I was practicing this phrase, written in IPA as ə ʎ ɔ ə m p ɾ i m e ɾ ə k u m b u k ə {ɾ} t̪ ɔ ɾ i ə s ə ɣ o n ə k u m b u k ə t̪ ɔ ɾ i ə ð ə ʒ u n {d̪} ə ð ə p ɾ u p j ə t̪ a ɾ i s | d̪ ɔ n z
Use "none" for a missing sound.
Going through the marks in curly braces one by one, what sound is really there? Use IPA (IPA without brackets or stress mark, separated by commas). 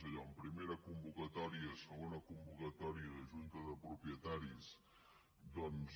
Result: none, t̪